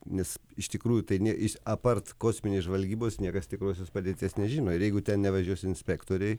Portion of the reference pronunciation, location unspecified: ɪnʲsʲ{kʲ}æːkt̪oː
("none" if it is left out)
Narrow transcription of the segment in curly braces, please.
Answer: pʲ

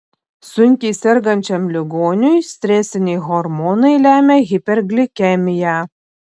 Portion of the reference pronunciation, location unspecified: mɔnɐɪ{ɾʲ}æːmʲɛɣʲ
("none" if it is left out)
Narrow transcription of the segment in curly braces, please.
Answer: lʲ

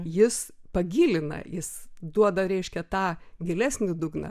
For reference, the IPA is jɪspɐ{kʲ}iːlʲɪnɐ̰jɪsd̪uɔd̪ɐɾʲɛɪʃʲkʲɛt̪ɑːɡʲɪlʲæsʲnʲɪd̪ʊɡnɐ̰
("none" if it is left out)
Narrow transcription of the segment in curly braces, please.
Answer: ɡʲ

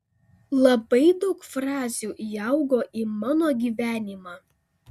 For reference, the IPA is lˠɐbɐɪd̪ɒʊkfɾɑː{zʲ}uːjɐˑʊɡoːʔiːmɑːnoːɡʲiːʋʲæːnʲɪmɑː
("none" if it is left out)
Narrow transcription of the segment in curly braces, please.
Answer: zʲ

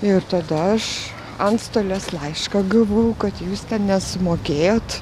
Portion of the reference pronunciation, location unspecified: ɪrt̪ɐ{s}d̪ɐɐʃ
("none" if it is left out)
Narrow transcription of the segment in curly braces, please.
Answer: none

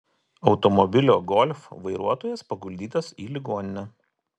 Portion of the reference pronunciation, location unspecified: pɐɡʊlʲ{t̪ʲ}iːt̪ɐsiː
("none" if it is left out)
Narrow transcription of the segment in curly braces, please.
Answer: d̪ʲ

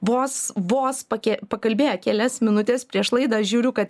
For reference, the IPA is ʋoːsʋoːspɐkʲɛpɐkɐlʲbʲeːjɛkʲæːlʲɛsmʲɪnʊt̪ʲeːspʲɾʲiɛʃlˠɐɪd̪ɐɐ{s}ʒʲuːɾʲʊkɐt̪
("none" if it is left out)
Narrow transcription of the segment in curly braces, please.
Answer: ʃ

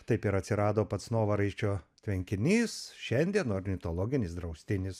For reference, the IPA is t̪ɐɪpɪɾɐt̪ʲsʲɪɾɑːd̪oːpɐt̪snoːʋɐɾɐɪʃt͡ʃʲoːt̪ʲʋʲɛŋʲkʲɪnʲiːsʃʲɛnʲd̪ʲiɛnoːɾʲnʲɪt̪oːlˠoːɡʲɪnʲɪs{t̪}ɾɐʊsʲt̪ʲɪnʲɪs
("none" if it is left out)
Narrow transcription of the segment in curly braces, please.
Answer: d̪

